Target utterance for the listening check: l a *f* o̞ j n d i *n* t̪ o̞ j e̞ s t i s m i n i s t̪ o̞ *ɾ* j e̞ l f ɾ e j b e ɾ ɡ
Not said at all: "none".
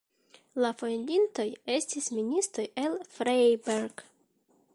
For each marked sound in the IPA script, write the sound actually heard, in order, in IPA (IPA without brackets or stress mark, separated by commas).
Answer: f, n, none